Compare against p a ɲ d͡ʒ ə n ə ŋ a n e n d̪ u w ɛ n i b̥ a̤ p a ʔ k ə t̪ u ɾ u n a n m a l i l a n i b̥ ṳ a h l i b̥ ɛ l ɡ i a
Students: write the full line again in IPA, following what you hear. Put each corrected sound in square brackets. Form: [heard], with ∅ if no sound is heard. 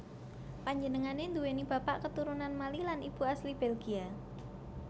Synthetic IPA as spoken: p a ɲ d͡ʒ ə n ə ŋ a n e n d̪ u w [e] n i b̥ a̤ p a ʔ k ə t̪ u ɾ u n a n m a l i l a n i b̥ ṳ a [s] l i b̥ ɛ l ɡ i a